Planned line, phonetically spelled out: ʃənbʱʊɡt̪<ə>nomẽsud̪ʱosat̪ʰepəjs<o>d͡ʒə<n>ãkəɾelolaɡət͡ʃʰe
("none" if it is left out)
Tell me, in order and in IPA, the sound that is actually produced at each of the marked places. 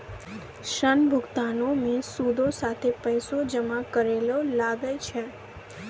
a, o, m

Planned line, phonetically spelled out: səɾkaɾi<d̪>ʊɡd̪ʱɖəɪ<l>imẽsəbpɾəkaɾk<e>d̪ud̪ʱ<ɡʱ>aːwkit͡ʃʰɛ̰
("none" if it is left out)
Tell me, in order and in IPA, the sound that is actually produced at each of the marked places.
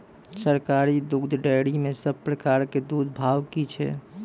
d̪, ɽ, e, bʱ

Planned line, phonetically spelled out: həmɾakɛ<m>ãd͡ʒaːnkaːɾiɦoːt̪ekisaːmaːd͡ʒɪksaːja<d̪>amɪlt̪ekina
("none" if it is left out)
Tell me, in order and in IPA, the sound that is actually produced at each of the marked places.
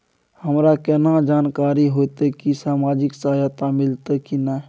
n, t̪

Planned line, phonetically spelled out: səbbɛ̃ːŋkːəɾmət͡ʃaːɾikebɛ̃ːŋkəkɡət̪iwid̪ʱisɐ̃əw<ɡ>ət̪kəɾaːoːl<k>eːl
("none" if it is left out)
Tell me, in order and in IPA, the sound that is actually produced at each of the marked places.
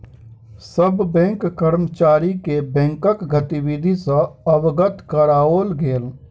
ɡ, ɡ

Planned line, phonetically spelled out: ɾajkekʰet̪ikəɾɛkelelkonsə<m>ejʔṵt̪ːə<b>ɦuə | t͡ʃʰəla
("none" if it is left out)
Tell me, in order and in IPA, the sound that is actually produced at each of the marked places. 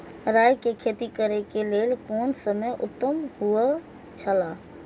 m, m

